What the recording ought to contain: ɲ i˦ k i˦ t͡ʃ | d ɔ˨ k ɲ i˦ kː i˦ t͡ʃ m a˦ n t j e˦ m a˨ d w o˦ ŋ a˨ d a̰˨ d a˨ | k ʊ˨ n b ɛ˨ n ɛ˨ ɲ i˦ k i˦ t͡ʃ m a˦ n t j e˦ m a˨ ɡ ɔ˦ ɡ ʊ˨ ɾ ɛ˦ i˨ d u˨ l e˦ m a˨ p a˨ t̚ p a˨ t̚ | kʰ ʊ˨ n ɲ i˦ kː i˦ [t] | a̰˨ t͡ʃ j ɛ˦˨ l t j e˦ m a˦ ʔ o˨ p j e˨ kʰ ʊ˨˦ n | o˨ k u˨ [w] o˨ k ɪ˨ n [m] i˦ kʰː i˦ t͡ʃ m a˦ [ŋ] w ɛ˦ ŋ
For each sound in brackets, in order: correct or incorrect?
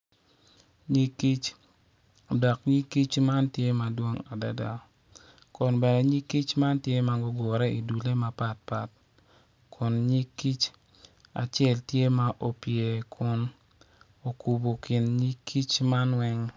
incorrect: t͡ʃ, incorrect: b, incorrect: ɲ, incorrect: n

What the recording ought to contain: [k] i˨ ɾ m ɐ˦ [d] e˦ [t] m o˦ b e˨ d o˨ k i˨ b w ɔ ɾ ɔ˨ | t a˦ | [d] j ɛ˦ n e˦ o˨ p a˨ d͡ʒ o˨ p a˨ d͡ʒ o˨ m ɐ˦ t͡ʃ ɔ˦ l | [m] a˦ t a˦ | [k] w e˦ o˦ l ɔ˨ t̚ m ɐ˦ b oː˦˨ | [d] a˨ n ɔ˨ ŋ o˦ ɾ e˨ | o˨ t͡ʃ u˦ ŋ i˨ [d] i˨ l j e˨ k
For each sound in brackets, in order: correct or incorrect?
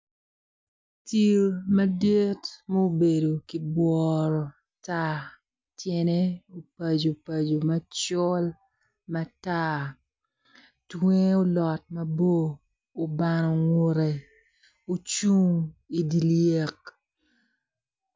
incorrect: t, correct, correct, incorrect: t, correct, incorrect: t, incorrect: b, correct

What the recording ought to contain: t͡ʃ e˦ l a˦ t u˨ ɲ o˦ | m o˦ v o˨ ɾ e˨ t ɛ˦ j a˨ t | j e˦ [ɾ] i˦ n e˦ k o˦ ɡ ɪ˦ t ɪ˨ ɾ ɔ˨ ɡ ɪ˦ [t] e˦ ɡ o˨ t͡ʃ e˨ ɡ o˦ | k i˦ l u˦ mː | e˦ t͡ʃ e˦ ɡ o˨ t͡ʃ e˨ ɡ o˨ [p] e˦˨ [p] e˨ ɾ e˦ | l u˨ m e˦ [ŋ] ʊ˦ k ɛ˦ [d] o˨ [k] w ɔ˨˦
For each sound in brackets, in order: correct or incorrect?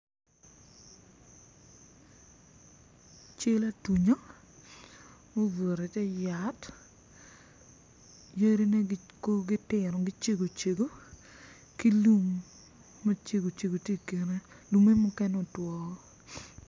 correct, incorrect: t͡ʃ, incorrect: t, incorrect: k, incorrect: m, incorrect: n, incorrect: t

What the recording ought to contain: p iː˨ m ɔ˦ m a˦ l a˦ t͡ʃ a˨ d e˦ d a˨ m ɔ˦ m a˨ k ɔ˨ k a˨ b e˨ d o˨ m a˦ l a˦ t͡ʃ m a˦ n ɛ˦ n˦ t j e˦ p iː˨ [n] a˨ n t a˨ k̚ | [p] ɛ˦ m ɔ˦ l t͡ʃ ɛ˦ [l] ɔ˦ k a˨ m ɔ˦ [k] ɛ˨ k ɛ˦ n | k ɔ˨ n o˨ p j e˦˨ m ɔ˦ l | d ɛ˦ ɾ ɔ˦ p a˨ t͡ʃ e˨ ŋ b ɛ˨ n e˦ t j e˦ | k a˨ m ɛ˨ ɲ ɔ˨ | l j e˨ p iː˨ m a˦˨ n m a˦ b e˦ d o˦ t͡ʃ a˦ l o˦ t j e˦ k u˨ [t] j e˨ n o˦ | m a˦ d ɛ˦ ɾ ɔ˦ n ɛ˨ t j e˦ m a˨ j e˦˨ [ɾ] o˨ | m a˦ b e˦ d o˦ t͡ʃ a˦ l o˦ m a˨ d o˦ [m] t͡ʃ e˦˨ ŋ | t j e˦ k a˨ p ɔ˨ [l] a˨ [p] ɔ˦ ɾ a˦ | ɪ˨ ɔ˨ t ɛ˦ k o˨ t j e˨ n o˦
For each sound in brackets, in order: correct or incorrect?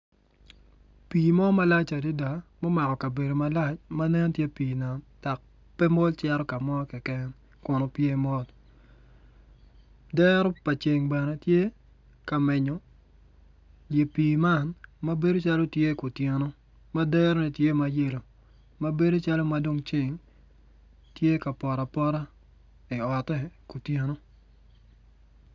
correct, correct, incorrect: ɾ, correct, correct, incorrect: l, incorrect: ŋ, incorrect: ɾ, correct

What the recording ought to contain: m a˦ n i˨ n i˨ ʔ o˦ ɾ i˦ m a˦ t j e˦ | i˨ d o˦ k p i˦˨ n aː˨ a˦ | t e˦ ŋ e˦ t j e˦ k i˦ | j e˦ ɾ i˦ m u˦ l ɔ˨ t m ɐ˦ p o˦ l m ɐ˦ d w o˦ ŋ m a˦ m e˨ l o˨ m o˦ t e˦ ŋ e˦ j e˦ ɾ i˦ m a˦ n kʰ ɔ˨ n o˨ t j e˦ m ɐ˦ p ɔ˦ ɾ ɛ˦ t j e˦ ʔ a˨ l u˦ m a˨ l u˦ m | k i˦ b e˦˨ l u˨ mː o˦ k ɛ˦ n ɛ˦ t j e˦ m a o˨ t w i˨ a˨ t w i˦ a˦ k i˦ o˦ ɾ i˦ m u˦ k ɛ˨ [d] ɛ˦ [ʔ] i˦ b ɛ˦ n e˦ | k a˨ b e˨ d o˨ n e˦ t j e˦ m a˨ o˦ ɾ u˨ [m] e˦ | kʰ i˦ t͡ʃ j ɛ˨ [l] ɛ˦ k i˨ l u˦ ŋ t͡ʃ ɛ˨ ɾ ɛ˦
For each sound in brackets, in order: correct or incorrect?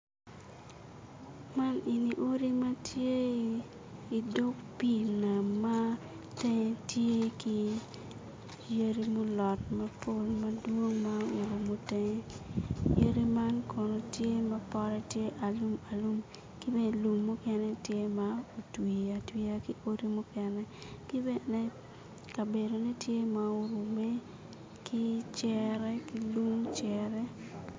incorrect: n, incorrect: k, correct, incorrect: ɾ

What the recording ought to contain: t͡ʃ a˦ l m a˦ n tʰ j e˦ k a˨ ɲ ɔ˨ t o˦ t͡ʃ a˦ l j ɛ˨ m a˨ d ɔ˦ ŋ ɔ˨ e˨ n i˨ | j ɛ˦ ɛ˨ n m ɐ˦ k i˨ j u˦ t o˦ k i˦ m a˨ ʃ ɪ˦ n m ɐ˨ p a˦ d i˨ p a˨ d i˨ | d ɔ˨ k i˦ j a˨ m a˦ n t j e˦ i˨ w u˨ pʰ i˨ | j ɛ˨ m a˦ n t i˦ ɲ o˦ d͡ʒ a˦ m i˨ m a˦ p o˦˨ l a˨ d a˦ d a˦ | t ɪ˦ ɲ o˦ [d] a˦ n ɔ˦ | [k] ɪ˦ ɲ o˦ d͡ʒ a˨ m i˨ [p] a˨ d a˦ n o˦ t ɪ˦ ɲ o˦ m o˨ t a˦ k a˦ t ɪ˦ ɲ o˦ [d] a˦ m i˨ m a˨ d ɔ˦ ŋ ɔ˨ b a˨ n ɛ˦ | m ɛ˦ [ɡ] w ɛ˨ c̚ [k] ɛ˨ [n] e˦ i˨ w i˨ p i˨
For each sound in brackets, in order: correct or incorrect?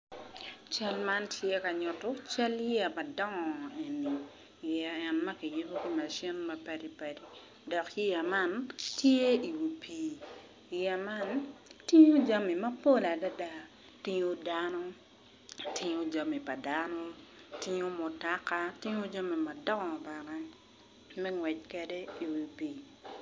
correct, incorrect: t, correct, incorrect: d͡ʒ, incorrect: ŋ, correct, incorrect: d

